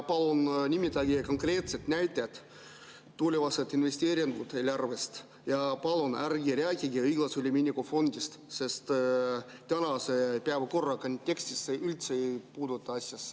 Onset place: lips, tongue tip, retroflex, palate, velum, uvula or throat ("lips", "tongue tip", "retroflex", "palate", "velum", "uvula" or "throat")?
lips